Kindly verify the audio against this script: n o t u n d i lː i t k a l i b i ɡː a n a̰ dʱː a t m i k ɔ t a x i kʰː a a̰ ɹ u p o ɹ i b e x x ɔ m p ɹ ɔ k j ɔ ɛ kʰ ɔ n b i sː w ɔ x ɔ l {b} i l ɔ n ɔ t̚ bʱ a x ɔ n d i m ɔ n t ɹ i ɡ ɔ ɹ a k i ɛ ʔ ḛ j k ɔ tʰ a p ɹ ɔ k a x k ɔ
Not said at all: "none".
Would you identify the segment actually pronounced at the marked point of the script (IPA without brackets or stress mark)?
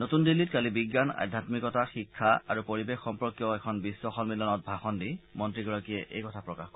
m